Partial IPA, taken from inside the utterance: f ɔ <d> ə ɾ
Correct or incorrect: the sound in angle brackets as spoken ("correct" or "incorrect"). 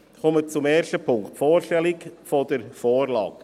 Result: correct